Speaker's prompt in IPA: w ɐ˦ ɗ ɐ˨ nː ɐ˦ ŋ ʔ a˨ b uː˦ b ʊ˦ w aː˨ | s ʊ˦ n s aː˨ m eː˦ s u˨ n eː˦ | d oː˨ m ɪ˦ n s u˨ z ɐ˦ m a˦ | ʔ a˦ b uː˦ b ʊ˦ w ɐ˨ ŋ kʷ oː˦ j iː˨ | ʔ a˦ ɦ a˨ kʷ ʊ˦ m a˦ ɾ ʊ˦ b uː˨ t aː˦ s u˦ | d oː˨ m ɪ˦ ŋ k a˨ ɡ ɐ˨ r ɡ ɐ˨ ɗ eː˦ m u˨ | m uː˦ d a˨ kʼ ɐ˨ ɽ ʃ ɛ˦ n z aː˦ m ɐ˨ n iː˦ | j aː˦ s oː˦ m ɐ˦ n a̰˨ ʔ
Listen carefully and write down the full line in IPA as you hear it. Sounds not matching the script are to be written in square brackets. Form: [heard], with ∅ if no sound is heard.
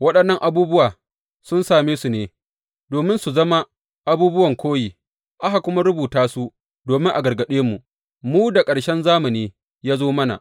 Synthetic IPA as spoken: w ɐ˦ ɗ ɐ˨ nː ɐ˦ ŋ ʔ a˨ b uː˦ b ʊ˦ w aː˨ | s ʊ˦ n s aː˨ m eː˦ s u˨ n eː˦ | d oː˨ m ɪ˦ n s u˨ z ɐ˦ m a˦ | ʔ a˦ b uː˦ b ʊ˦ w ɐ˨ ŋ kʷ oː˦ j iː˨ | ʔ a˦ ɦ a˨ kʷ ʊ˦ m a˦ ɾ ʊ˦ b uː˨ t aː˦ s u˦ | d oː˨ m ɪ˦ ŋ [ʔ] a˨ ɡ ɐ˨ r ɡ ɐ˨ ɗ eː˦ m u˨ | m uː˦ d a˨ kʼ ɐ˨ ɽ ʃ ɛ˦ n z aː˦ m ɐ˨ n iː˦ | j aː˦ [z] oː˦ m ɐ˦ n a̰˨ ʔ

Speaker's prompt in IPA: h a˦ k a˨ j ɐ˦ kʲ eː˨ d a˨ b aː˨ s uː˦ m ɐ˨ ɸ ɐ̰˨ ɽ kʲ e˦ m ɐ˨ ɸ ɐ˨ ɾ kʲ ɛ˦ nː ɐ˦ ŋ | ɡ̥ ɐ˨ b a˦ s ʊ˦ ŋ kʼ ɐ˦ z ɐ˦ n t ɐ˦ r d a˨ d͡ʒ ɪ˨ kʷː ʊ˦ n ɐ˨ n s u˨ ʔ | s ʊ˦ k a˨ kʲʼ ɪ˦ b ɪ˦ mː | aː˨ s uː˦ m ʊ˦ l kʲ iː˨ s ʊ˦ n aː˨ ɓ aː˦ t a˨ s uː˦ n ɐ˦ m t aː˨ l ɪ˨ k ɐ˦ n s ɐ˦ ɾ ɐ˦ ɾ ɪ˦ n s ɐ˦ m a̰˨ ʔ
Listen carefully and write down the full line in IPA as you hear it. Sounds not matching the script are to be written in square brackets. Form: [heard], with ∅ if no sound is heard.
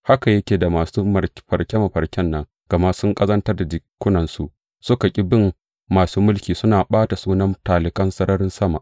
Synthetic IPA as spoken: h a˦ k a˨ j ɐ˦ kʲ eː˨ d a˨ [m] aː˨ s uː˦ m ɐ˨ ɸ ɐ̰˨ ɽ kʲ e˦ m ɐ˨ ɸ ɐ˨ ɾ kʲ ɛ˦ nː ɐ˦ ŋ | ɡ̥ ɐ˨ [m] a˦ s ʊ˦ ŋ kʼ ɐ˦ z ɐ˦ n t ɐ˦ r d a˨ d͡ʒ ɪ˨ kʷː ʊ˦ n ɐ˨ n s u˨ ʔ | s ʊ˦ k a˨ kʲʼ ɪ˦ b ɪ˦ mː | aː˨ s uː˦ m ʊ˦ l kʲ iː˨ s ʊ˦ n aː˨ ɓ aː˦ t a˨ s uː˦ n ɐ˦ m t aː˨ l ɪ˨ k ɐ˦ n s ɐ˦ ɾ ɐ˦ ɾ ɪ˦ n s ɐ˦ m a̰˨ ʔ

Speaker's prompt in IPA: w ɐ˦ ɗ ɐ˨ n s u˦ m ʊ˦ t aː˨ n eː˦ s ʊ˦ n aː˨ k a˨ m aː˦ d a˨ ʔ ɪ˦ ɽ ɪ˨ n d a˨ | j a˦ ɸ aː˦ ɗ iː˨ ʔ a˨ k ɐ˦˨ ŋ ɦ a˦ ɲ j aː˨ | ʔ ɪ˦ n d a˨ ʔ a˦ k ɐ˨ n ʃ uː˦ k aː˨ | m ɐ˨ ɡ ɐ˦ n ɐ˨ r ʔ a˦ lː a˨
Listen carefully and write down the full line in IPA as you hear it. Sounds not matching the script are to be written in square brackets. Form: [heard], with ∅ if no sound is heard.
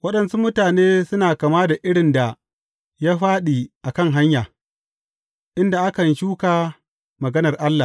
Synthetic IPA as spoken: w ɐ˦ ɗ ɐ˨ n s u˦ m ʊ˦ t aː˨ n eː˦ s ʊ˦ n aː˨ k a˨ m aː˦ d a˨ ʔ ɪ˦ ɽ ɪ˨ n d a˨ | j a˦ ɸ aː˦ ɗ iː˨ ʔ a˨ k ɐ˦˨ ŋ ɦ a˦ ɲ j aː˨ | ʔ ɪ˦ n d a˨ ʔ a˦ k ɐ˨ n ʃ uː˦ k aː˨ | m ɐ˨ ɡ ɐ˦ n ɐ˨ r ʔ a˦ lː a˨

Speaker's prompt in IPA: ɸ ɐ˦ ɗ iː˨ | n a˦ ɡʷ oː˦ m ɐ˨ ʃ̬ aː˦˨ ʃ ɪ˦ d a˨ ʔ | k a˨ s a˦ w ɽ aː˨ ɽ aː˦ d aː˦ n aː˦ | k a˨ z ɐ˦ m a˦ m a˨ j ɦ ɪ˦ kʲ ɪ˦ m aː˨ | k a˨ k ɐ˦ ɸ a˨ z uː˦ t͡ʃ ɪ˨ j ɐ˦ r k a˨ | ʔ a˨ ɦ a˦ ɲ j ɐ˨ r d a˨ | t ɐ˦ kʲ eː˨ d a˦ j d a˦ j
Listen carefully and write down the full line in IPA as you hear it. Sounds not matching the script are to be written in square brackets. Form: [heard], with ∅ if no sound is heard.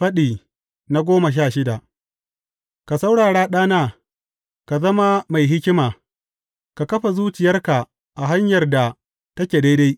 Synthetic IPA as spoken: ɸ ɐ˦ ɗ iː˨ | n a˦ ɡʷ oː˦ m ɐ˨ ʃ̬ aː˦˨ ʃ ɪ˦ d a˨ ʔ | k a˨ s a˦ w ɽ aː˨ ɽ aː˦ [ɗ] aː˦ n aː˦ | k a˨ z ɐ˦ m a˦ m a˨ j ɦ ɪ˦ kʲ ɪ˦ m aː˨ | k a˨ k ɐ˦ ɸ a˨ z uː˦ t͡ʃ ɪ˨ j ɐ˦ r k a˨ | ʔ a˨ ɦ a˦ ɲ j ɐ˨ r d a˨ | t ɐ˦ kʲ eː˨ d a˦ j d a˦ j

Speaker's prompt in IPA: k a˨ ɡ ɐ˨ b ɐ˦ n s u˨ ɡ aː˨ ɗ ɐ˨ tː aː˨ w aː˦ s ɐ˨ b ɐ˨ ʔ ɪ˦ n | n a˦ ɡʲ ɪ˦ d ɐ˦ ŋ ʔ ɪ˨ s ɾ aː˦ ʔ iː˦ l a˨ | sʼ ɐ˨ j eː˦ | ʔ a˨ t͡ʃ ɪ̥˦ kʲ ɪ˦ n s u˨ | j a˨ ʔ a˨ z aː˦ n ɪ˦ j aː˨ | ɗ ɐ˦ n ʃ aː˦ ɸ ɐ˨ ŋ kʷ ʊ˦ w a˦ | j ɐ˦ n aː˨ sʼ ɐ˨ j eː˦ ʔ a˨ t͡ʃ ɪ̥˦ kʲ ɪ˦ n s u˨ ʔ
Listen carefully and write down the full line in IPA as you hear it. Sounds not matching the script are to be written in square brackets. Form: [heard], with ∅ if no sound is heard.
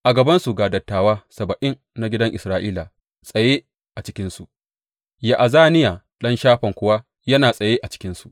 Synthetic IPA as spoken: [ʔ] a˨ ɡ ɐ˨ b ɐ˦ n s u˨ ɡ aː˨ [d] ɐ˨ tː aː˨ w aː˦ s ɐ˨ b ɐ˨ ʔ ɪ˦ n | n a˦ ɡʲ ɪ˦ d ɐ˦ ŋ ʔ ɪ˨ s ɾ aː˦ ʔ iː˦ l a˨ | sʼ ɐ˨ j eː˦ | ʔ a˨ t͡ʃ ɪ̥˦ kʲ ɪ˦ n s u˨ | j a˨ ʔ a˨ z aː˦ n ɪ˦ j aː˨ | ɗ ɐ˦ n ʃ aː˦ ɸ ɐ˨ ŋ kʷ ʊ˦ w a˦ | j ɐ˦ n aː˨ sʼ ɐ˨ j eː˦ ʔ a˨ t͡ʃ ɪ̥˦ kʲ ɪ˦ n s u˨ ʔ

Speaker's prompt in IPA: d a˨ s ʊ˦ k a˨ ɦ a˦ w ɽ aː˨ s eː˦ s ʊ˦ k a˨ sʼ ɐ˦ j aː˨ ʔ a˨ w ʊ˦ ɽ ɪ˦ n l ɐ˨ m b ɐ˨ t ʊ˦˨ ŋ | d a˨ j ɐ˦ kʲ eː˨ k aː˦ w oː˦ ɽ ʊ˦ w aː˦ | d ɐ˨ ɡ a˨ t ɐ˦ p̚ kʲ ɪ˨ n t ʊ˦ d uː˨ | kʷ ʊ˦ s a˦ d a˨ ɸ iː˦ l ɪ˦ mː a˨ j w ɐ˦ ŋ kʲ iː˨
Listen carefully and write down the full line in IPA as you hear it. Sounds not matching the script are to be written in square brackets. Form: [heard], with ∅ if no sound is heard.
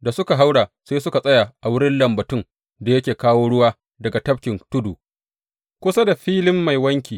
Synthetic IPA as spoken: d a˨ s ʊ˦ k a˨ ɦ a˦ w ɽ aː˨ s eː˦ s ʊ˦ k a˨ sʼ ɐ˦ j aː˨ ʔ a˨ w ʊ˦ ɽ ɪ˦ n l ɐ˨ m b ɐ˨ t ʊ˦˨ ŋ | d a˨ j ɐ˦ kʲ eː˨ k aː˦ w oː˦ ɽ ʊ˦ w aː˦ | d ɐ˨ ɡ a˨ t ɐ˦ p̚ kʲ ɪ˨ n t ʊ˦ d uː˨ | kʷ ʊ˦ s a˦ d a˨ ɸ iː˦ l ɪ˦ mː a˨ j w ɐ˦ ŋ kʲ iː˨

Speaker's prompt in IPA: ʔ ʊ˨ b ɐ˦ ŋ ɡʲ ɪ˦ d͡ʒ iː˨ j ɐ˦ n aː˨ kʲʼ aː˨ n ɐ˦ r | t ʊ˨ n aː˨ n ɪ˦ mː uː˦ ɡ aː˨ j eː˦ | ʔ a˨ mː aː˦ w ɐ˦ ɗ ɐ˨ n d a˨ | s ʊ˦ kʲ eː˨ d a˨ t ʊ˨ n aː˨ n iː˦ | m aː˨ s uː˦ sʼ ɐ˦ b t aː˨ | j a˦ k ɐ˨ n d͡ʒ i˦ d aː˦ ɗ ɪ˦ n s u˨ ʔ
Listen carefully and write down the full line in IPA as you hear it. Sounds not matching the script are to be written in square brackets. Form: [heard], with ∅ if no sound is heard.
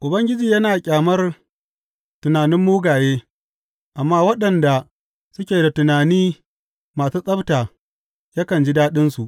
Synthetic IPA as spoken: ʔ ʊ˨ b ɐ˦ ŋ ɡʲ ɪ˦ d͡ʒ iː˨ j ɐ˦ n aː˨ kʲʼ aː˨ [m] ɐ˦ r | t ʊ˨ n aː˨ n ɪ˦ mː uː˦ ɡ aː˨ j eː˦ | ʔ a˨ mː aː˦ w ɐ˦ ɗ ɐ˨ n d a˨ | s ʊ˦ kʲ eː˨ d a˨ t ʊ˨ n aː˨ n iː˦ | m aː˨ s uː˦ sʼ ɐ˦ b t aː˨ | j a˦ k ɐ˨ n d͡ʒ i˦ d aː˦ ɗ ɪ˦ n s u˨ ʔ

